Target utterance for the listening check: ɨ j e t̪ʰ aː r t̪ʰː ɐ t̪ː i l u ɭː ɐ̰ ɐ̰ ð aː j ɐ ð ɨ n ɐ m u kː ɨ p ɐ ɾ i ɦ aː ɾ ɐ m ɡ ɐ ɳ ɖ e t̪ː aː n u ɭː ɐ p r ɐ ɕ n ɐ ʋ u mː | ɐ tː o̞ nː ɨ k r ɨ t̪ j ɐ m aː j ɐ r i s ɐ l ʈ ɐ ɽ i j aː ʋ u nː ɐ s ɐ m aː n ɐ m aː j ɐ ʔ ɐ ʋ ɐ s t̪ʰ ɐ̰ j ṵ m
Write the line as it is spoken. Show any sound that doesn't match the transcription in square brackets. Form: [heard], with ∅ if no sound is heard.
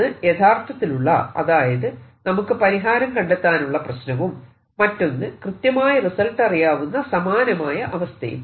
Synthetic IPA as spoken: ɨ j e t̪ʰ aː r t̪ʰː ɐ t̪ː i l u ɭː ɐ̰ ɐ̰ ð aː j ɐ ð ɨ n ɐ m u kː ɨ p ɐ ɾ i ɦ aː ɾ ɐ m [k] ɐ ɳ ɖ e t̪ː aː n u ɭː ɐ p r ɐ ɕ n ɐ ʋ u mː | ɐ tː o̞ nː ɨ k r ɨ t̪ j ɐ m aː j ɐ r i s ɐ l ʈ ɐ [r] i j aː ʋ u nː ɐ s ɐ m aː n ɐ m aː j ɐ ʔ ɐ ʋ ɐ s t̪ʰ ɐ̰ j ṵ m